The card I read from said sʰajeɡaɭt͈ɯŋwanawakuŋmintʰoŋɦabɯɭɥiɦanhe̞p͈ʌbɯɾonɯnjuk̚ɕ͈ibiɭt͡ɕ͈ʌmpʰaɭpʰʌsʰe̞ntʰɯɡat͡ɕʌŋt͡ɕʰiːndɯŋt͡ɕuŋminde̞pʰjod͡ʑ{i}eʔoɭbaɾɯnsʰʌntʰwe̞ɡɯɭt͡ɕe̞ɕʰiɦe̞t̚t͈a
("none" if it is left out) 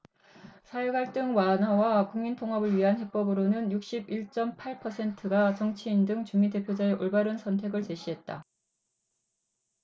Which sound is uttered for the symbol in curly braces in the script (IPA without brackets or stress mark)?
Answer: a